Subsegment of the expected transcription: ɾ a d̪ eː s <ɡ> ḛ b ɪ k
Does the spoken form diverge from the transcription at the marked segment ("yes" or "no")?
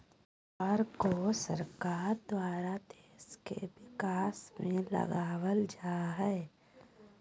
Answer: yes